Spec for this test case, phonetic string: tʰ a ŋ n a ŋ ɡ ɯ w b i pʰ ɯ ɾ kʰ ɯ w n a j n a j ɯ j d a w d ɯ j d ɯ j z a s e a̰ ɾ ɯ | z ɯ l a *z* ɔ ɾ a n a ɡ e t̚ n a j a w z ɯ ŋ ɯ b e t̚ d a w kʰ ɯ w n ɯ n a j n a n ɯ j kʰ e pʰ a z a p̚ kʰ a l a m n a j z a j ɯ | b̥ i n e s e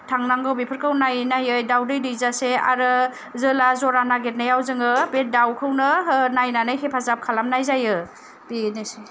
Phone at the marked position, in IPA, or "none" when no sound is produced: z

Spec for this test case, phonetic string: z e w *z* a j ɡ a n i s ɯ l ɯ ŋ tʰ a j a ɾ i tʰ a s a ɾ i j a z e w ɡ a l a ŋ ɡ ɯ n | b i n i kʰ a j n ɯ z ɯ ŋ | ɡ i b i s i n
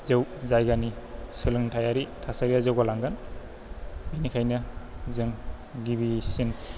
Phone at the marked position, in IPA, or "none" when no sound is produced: z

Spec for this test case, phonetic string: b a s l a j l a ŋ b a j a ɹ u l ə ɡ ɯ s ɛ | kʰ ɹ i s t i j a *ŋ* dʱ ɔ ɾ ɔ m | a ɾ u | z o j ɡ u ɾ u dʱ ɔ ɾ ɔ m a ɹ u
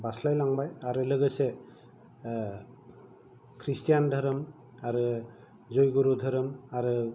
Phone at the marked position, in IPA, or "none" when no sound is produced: n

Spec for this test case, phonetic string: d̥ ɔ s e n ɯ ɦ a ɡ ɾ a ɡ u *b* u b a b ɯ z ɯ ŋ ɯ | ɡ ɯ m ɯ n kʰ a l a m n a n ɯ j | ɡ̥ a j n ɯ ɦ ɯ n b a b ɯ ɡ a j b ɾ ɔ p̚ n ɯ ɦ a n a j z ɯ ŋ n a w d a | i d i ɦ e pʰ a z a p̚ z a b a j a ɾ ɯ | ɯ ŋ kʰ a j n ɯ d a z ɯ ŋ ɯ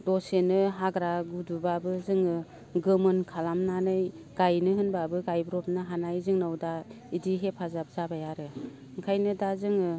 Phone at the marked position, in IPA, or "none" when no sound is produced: d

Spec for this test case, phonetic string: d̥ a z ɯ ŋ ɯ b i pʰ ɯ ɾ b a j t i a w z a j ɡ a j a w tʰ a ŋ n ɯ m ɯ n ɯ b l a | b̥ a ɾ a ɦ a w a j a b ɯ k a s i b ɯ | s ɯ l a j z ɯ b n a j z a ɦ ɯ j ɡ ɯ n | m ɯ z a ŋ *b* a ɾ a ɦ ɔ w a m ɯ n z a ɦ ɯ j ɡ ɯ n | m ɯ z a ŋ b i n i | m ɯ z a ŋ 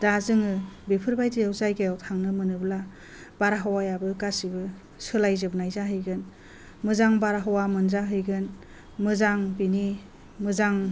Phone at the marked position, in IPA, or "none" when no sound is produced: b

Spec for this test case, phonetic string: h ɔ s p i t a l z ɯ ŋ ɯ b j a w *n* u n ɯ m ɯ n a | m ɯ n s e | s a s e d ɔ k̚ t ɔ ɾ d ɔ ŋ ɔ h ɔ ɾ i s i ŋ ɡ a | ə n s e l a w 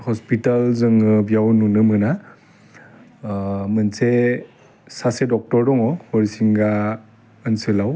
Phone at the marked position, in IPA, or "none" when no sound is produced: n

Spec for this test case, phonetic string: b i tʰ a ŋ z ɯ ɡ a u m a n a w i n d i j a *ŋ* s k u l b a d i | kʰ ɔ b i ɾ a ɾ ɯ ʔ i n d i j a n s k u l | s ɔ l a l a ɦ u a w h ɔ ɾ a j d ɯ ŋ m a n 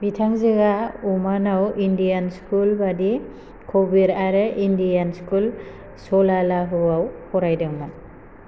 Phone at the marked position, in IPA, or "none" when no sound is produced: n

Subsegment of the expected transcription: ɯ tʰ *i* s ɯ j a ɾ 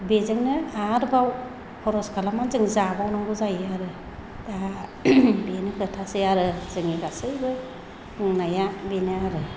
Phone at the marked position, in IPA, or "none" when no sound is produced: a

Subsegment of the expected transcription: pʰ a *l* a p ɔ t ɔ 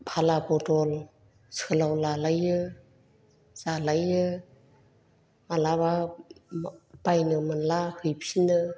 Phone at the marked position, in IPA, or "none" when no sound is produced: l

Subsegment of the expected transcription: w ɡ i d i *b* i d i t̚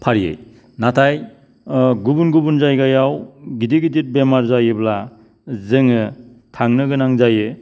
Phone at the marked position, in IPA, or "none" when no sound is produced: ɡ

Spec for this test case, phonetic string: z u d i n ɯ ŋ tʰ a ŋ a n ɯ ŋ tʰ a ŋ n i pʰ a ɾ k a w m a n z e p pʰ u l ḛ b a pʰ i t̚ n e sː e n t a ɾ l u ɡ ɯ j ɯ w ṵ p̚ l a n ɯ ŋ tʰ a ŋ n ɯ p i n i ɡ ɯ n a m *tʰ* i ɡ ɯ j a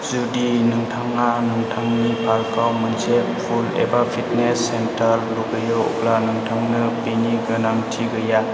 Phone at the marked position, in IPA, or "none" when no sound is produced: tʰ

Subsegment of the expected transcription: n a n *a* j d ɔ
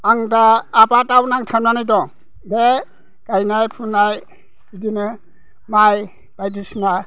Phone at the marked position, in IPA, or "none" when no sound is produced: a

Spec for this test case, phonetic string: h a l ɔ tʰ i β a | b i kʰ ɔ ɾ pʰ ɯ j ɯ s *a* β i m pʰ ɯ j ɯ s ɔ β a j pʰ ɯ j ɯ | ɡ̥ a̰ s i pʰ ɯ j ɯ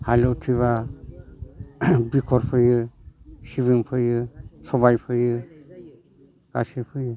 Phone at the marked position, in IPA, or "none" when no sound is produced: i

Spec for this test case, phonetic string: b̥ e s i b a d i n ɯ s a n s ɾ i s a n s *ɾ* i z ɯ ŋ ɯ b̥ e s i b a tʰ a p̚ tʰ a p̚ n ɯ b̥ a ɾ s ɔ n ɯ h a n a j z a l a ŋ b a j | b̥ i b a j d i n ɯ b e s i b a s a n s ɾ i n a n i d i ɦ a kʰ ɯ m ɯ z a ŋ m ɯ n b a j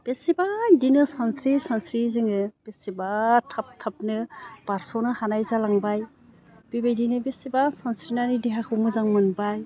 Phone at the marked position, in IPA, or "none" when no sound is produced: ɾ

